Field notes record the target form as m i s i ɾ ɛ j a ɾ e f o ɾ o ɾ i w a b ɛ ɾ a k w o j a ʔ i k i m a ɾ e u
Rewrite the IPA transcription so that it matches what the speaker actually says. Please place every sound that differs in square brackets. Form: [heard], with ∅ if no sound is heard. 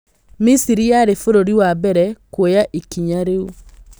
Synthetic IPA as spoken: m i s i ɾ [i] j a ɾ e f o ɾ o ɾ i w a b ɛ ɾ [ɛ] k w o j a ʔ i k i [ɲ] a ɾ e u